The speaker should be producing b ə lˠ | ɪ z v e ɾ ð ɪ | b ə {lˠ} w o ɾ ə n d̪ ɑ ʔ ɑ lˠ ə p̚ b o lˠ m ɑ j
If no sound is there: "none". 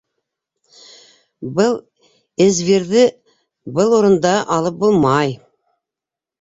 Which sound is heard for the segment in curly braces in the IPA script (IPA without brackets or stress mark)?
lˠ